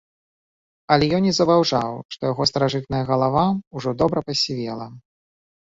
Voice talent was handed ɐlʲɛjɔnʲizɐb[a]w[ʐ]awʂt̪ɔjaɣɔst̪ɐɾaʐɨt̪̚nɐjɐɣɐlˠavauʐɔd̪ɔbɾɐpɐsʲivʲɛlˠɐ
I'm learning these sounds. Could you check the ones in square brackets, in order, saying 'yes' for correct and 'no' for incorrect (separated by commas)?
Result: yes, yes